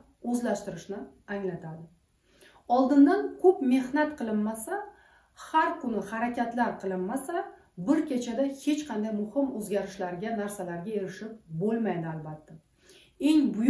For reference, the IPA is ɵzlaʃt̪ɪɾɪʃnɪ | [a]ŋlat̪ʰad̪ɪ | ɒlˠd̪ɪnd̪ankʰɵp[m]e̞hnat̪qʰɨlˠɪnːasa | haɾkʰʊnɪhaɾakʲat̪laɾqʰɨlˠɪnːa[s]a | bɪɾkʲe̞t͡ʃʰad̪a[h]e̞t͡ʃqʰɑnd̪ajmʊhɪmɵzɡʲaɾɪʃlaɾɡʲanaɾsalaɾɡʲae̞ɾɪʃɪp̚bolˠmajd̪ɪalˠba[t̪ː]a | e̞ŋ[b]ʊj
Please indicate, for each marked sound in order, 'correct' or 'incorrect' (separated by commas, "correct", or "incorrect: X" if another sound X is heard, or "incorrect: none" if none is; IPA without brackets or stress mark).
correct, correct, correct, correct, correct, correct